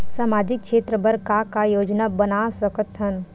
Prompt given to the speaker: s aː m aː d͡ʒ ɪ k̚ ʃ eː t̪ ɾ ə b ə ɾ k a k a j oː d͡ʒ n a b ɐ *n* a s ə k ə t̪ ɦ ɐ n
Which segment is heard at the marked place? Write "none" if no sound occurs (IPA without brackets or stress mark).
n